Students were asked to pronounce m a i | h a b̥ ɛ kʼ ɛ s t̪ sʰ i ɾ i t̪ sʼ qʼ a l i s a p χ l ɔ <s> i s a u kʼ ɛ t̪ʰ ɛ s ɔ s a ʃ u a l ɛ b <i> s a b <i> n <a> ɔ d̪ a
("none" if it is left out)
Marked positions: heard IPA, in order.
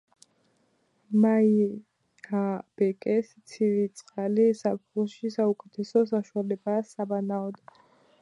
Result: ʃ, a, a, a

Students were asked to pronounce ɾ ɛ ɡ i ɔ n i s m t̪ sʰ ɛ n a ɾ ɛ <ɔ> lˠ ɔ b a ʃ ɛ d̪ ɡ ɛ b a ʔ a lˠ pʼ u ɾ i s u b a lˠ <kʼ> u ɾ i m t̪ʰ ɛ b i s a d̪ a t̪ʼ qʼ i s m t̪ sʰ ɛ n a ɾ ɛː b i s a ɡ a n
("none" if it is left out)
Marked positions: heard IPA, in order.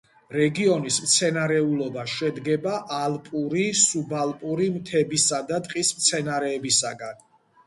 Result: u, pʼ

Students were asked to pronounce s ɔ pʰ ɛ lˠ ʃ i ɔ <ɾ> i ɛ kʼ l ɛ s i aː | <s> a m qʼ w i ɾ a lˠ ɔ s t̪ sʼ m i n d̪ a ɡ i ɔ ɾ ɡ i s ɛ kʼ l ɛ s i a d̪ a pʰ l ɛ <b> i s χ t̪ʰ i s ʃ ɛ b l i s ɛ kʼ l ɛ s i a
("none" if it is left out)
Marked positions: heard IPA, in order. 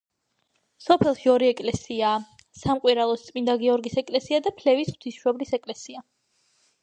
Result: ɾ, s, v

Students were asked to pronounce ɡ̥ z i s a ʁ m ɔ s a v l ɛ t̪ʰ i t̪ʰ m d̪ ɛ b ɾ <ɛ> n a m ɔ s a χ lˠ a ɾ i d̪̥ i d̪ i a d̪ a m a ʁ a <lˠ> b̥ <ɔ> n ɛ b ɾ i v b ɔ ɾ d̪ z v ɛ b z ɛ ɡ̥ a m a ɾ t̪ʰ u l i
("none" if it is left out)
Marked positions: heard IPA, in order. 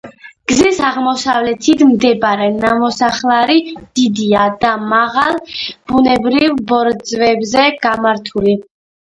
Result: ɛ, lˠ, u

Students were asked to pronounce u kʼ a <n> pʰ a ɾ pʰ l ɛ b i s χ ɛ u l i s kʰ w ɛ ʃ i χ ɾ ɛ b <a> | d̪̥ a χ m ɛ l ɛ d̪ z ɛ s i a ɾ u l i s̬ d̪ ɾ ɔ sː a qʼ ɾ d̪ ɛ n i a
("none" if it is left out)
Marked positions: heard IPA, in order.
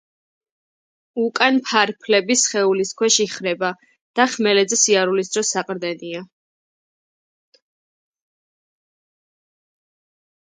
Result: n, a

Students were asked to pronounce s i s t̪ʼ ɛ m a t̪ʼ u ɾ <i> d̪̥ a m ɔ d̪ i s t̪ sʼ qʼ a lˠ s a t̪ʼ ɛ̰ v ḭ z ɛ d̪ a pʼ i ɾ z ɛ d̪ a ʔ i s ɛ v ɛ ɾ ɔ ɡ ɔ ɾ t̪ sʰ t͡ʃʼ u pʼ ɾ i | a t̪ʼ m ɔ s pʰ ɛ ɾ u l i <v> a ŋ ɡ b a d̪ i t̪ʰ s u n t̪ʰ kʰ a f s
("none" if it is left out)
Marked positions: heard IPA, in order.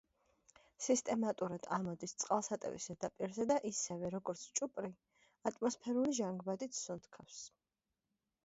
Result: a, ʒ

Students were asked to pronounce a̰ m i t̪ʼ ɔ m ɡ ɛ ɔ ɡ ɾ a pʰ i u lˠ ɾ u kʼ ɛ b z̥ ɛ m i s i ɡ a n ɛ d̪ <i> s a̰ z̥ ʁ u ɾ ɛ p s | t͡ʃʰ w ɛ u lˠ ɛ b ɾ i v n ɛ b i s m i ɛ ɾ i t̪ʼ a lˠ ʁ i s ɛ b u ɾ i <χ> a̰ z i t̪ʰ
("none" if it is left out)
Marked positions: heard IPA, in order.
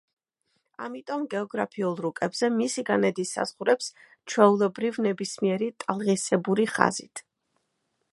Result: i, χ

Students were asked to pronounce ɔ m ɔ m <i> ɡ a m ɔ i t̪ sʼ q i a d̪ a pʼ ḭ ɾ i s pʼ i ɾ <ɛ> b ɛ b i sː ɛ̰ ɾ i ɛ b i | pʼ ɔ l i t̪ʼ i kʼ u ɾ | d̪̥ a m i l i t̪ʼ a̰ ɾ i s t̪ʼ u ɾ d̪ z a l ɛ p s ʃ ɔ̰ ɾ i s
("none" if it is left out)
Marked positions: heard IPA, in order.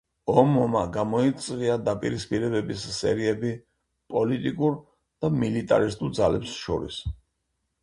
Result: a, ɛ

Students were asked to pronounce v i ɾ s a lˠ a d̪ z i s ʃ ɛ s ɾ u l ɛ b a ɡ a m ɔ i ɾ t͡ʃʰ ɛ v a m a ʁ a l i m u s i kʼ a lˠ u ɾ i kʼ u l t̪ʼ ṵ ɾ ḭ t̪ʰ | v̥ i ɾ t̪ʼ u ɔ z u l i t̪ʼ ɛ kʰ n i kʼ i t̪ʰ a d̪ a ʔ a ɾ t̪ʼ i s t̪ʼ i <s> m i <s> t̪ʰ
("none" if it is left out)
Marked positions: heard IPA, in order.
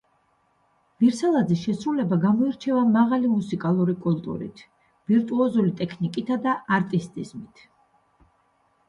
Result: z, none

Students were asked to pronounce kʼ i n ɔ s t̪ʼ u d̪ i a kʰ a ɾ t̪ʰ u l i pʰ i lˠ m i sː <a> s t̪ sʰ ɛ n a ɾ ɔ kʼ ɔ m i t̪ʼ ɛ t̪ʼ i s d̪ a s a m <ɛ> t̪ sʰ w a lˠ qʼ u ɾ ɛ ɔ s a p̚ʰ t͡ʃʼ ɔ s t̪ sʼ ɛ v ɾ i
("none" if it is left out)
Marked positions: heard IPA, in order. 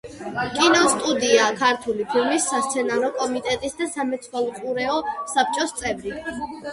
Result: a, ɛ

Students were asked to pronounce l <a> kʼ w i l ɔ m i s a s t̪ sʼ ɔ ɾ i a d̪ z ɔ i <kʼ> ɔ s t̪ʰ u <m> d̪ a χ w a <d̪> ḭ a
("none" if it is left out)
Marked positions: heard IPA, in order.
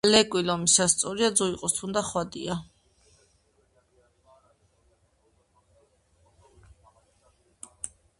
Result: ɛ, qʼ, n, d̪

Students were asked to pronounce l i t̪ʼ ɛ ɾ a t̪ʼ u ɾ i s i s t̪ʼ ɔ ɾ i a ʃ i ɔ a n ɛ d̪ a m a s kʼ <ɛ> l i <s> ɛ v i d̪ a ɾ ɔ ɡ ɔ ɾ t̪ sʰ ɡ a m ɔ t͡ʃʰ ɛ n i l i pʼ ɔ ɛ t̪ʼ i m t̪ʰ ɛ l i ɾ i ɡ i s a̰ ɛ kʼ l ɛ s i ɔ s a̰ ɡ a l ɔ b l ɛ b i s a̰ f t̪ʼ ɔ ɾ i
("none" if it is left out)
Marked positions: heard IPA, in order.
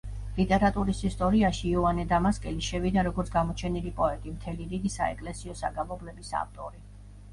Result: ɛ, ʃ

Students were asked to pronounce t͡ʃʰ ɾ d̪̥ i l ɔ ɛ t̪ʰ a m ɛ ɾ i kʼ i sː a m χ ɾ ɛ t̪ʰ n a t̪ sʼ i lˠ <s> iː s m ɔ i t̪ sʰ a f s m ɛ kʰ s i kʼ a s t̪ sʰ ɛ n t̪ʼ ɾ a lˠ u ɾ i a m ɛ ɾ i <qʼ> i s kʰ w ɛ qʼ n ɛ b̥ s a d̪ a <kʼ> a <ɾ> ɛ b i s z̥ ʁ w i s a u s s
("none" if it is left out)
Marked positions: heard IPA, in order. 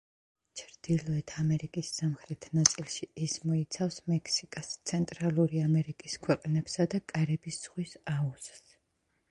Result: ʃ, kʼ, kʼ, ɾ

